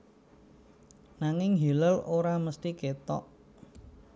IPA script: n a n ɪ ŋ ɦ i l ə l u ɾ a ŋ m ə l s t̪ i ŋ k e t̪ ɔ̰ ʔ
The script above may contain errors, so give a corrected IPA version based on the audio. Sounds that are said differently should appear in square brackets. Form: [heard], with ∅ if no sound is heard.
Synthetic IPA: n a [ŋ] ɪ ŋ ɦ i l ə l [o] ɾ a [∅] m ə [∅] s t̪ i [∅] k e t̪ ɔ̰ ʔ